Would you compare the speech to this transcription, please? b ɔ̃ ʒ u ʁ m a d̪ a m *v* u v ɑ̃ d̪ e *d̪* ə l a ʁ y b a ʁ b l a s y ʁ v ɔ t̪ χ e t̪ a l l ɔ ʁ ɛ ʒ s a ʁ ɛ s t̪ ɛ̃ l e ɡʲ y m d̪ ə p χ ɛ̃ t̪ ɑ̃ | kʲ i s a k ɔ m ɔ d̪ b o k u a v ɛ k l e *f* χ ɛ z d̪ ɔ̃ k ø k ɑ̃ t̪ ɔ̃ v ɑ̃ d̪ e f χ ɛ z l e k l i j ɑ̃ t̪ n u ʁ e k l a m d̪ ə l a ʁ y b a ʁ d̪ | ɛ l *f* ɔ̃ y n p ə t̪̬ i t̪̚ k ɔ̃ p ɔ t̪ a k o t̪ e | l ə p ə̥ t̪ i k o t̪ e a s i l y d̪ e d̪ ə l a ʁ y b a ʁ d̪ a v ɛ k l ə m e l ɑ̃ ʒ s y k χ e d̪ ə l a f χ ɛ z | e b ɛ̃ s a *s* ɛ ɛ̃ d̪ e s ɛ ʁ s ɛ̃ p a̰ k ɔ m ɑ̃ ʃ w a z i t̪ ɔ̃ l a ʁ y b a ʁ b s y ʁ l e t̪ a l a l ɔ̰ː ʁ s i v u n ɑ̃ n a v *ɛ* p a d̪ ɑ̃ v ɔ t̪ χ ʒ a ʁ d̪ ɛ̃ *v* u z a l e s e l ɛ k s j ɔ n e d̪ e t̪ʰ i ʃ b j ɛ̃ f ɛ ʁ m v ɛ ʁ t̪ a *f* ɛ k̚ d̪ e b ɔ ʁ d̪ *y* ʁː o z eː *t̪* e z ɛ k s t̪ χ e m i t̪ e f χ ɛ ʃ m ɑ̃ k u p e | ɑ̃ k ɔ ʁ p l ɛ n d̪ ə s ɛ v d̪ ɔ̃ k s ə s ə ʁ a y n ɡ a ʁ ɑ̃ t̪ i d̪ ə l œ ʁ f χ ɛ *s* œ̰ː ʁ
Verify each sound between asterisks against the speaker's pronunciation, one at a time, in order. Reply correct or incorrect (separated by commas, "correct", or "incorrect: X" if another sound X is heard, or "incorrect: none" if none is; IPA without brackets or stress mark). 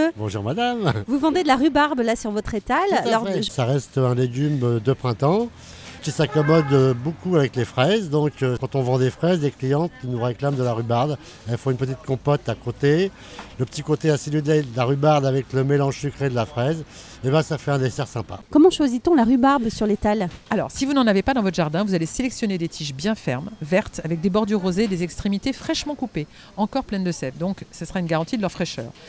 correct, correct, correct, correct, incorrect: f, incorrect: e, correct, incorrect: v, correct, incorrect: d̪, incorrect: ʃ